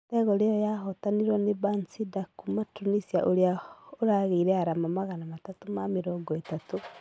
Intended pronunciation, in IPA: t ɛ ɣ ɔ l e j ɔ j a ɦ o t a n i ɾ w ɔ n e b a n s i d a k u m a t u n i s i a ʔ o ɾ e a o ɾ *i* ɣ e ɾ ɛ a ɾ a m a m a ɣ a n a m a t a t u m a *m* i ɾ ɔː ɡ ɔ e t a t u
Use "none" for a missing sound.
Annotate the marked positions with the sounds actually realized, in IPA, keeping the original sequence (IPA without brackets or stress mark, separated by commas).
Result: a, m